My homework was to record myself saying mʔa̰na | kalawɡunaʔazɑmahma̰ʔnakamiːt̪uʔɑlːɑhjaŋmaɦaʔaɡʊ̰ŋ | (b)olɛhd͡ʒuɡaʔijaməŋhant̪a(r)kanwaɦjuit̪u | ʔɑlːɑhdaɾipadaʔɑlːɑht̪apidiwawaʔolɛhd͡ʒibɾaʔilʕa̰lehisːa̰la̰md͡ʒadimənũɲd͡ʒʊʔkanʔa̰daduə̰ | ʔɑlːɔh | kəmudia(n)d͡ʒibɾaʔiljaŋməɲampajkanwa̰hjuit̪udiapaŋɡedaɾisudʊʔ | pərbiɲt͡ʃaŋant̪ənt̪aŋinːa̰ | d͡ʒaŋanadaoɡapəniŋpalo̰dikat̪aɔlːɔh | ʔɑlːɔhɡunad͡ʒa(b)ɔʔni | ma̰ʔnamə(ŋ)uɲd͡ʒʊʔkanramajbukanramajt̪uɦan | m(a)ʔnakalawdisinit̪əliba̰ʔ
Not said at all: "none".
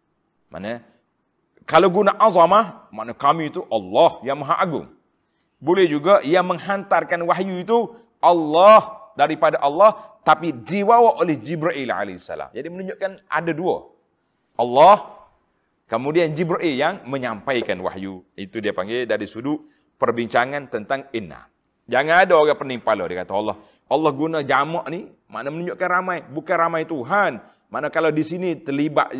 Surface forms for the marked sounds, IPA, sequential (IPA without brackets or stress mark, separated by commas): b, r, n, m, n, a